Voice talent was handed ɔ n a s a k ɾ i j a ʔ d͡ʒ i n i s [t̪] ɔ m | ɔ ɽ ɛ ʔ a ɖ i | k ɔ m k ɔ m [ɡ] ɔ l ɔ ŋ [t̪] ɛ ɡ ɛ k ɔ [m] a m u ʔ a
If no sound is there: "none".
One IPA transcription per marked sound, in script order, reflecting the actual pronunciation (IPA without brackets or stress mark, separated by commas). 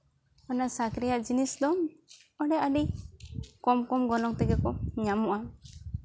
d̪, ɡ, t̪, ɲ